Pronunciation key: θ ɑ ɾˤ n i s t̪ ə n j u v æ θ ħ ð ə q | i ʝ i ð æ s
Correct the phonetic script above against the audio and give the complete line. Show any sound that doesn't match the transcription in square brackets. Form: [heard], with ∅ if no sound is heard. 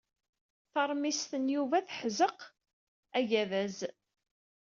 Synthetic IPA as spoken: θ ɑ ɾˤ [m] i s t̪ ə n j u v æ θ ħ [z] ə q | [æ] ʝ [æ] ð æ [z]

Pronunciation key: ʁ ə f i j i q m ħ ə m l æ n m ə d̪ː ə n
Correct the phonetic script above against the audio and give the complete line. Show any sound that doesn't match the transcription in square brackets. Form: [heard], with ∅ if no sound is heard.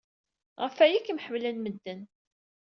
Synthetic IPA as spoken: ʁ ə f [æ] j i [k] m ħ ə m l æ n m ə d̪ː ə n

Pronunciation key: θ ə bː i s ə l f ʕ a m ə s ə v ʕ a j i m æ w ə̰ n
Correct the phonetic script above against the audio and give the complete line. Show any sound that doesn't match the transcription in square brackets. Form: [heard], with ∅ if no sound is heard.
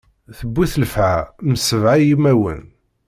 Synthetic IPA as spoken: θ ə bː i [θ] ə l f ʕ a m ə s ə v ʕ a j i m æ w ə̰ n

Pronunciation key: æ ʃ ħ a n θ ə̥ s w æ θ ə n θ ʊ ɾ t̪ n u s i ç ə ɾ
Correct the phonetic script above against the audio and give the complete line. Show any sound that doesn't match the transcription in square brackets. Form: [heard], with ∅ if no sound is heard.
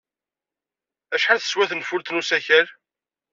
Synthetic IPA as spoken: æ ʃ ħ a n θ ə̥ s w æ θ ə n [f] ʊ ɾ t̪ n u s [æ] ç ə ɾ

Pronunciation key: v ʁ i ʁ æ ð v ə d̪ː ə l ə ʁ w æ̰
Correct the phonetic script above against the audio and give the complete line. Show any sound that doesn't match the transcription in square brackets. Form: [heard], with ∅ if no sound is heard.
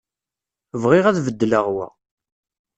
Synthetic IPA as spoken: v ʁ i ʁ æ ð v ə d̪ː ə l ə ʁ w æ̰

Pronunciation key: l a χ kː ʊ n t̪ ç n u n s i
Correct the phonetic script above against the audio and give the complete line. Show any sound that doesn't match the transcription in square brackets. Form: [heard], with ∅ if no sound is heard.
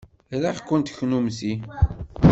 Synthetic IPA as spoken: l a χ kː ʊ n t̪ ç n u [m] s i

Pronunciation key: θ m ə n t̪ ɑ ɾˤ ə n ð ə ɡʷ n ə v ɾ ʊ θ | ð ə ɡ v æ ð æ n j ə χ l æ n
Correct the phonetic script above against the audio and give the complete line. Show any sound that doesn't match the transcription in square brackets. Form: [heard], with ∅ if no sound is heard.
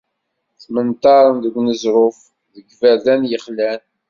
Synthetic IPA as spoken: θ m ə n t̪ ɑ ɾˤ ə n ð ə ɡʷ n ə [z] ɾ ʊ [f] | ð ə ɡ v æ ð æ n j ə χ l æ n

